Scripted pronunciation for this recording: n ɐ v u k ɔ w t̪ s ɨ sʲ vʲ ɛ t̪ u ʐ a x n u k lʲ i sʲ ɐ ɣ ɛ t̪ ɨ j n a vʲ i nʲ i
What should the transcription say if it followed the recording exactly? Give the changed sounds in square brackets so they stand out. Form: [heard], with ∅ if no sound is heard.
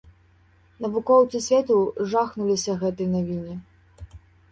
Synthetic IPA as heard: n ɐ v u k ɔ w t̪ s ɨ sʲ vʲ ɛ t̪ u ʐ a x n u [∅] lʲ i sʲ ɐ ɣ ɛ t̪ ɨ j n a vʲ i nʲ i